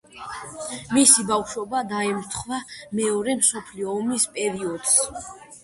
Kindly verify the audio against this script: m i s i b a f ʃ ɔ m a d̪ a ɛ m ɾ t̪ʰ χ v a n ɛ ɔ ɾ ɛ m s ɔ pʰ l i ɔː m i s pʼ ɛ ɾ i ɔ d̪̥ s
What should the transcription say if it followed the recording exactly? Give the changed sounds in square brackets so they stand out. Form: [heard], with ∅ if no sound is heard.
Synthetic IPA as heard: m i s i b a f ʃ ɔ [b] a d̪ a ɛ m ɾ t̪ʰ χ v a [m] ɛ ɔ ɾ ɛ m s ɔ pʰ l i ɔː m i s pʼ ɛ ɾ i ɔ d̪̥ s